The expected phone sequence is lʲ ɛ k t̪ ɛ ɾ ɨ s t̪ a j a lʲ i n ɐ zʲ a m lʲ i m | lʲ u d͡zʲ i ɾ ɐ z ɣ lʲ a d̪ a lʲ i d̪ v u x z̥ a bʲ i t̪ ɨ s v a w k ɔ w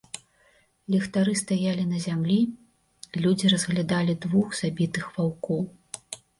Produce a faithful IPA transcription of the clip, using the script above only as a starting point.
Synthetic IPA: lʲ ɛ x t̪ a ɾ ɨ s t̪ a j a lʲ i n ɐ zʲ a m lʲ i | lʲ u d͡zʲ i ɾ ɐ z ɣ lʲ a d̪ a lʲ i d̪ v u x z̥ a bʲ i t̪ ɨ x v a w k ɔ w